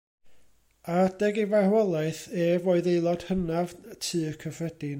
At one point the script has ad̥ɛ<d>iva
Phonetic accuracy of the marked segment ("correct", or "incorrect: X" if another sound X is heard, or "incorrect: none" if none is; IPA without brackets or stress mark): incorrect: ɡ